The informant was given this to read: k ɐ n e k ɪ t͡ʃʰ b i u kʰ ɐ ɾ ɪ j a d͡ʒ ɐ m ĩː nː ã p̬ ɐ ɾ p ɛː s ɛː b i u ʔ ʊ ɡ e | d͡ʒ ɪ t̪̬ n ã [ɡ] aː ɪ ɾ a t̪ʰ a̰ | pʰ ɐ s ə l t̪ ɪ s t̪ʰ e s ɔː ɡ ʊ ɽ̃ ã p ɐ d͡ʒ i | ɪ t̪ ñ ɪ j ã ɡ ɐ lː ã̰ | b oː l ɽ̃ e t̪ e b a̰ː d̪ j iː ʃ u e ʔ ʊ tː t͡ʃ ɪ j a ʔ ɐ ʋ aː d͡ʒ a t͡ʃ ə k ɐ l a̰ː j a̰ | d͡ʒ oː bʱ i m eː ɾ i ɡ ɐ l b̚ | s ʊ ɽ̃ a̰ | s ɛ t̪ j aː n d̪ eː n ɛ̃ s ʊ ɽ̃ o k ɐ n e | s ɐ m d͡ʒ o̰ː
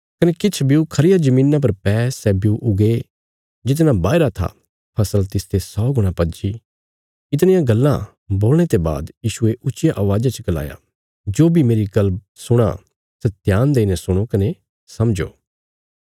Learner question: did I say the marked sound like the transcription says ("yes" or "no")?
no